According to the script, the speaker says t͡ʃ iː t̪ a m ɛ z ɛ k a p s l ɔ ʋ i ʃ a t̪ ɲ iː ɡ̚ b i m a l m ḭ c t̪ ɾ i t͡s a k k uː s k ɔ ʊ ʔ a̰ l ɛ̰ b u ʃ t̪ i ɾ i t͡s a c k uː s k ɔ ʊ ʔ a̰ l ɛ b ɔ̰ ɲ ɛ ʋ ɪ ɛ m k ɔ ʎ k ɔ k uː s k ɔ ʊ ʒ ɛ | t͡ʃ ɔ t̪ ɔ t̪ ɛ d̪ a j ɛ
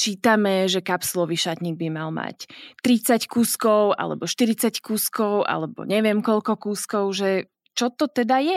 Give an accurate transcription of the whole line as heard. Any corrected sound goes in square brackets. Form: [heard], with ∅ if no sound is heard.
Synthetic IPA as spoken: t͡ʃ iː t̪ a m ɛ [ʒ] ɛ k a p s l ɔ ʋ i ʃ a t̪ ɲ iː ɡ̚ b i m a l m [a̰] c t̪ ɾ i t͡s a [c] k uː s k ɔ ʊ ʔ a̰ l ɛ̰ b [ɔ] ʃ t̪ i ɾ i t͡s a c k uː s k ɔ ʊ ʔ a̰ l ɛ b ɔ̰ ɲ ɛ ʋ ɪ ɛ m k ɔ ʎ k ɔ k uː s k ɔ ʊ ʒ ɛ | t͡ʃ ɔ t̪ ɔ t̪ ɛ d̪ a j ɛ